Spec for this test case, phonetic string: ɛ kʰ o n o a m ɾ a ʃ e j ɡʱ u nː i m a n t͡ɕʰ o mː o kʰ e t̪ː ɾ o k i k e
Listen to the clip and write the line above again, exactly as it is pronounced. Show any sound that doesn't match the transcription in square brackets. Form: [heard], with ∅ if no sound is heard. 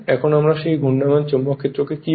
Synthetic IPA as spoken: ɛ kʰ o n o a m ɾ a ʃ e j ɡʱ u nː [a] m a n [t͡ɕ] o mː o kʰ e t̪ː ɾ o k [e] k [i]